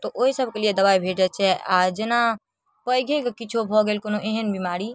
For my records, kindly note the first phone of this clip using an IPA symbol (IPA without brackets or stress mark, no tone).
t̪